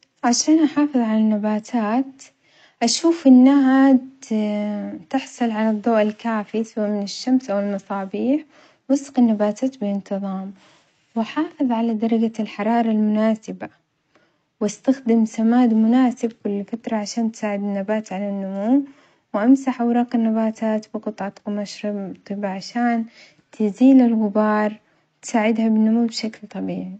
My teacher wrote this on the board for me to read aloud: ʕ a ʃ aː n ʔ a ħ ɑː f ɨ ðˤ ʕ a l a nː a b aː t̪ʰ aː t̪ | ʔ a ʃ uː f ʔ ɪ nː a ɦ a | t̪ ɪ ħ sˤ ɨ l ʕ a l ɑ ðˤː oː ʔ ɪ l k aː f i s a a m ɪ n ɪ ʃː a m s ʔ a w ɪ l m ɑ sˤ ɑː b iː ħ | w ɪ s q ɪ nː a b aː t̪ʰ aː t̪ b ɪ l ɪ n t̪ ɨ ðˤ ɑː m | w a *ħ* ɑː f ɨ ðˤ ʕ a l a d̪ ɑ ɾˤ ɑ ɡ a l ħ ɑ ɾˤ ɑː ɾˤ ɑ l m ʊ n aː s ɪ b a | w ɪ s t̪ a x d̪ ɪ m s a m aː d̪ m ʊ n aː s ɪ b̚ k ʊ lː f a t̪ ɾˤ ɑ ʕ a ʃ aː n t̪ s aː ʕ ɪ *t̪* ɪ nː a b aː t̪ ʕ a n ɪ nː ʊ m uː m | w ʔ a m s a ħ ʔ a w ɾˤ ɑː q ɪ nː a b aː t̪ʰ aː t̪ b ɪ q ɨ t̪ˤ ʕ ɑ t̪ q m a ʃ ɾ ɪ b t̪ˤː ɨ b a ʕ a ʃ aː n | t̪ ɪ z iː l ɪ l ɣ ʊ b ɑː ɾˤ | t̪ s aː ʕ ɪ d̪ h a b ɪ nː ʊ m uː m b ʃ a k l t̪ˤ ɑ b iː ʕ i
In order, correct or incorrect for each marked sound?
correct, incorrect

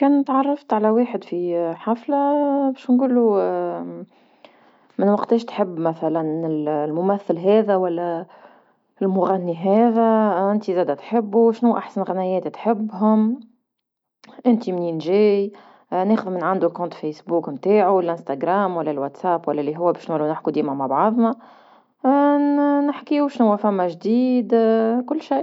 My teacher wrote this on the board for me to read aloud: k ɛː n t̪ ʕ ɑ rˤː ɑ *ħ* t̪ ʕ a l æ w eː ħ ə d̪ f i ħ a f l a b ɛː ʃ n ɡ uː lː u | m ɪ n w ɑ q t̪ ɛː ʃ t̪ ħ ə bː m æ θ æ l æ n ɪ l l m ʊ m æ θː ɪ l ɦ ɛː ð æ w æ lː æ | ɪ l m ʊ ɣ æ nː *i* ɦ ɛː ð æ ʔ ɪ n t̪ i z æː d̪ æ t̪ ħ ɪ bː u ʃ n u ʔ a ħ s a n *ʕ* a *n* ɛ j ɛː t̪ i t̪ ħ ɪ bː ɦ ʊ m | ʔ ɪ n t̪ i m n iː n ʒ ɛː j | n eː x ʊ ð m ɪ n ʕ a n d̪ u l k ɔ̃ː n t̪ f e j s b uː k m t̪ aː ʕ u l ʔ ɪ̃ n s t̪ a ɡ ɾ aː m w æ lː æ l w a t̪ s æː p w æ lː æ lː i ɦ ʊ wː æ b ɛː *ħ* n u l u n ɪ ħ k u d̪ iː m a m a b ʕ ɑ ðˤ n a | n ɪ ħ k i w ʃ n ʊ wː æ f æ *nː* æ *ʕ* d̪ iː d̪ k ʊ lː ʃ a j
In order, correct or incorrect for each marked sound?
incorrect, correct, incorrect, correct, incorrect, incorrect, incorrect

